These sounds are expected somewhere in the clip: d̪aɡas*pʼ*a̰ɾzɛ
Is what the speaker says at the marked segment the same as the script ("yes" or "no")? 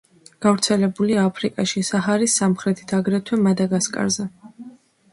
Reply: no